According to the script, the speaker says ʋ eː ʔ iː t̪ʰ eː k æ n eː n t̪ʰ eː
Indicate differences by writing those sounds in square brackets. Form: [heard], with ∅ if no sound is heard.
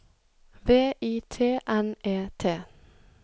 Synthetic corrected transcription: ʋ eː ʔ iː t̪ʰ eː [ʔ] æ n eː [∅] t̪ʰ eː